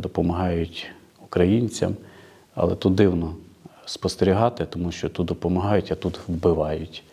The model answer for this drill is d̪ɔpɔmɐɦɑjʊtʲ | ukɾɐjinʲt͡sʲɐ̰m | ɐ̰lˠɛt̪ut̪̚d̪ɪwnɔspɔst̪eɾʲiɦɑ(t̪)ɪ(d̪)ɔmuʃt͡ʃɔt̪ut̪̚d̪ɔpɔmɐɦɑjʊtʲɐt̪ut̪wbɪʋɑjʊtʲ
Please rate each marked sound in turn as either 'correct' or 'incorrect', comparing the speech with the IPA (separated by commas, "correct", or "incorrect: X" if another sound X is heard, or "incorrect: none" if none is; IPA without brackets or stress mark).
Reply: correct, incorrect: t̪